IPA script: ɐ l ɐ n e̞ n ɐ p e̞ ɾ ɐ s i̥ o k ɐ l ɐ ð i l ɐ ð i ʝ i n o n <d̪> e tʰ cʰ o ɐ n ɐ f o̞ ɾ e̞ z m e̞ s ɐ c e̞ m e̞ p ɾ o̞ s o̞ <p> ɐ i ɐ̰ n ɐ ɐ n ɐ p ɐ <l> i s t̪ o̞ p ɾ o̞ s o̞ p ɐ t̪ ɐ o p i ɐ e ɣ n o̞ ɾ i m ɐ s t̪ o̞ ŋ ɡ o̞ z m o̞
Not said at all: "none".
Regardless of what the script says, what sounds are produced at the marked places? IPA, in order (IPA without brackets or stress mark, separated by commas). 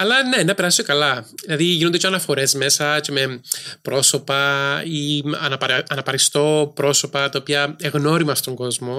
d̪, p, ɾ